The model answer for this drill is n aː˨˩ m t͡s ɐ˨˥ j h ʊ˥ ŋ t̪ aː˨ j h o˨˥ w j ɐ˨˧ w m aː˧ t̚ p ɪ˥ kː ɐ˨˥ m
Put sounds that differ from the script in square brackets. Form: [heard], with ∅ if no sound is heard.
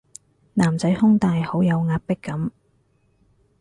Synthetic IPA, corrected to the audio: n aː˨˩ m t͡s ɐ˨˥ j h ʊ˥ ŋ t̪ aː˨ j h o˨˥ w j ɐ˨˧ w [ŋ] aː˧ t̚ p ɪ˥ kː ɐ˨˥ m